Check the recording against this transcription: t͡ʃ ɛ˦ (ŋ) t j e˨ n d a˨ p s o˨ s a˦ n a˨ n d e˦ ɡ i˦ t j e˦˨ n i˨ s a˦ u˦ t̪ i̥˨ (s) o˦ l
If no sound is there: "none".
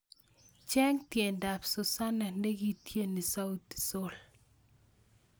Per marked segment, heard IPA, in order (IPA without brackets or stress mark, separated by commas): ŋ, s